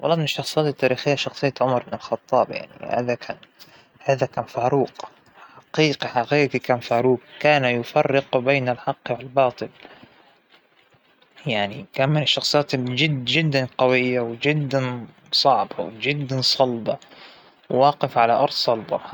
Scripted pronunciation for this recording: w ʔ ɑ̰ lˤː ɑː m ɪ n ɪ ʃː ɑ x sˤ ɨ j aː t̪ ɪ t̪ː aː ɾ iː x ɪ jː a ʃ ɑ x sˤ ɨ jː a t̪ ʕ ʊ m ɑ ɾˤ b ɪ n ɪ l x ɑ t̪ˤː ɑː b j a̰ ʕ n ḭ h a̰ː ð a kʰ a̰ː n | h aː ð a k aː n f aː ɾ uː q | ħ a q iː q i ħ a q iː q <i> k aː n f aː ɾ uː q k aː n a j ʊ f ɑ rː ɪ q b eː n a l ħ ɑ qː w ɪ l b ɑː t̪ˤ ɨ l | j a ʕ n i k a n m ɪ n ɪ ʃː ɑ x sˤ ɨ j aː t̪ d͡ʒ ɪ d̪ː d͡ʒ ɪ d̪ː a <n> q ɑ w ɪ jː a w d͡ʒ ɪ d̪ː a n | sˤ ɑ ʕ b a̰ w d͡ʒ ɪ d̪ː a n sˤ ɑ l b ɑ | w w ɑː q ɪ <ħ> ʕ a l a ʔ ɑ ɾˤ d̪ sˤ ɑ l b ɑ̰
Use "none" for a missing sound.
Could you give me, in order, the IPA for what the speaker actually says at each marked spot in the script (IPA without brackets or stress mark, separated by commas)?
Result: i, n, f